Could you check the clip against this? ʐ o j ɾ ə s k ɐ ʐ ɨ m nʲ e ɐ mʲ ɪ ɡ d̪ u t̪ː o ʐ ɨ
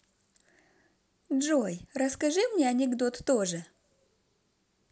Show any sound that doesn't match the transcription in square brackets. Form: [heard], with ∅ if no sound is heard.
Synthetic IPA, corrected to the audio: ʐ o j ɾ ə s k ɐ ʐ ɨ m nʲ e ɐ [nʲ] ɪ ɡ d̪ [o] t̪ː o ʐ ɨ